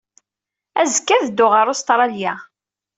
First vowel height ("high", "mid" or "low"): low